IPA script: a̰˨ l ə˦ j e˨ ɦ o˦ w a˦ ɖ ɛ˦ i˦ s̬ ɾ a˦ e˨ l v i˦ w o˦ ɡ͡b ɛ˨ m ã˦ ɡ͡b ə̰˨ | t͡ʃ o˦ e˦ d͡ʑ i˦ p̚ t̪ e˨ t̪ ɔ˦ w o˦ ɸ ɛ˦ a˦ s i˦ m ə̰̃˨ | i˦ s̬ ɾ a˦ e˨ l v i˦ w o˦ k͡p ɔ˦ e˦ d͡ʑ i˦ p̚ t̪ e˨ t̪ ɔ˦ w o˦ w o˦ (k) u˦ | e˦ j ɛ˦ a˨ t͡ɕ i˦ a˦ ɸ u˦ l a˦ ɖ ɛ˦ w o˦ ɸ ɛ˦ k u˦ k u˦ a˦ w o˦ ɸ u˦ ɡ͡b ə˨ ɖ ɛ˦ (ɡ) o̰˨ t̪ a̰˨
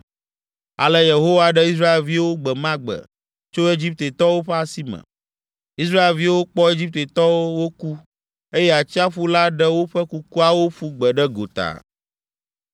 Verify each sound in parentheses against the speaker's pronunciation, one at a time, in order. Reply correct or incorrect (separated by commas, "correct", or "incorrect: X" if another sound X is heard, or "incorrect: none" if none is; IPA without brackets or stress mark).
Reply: correct, correct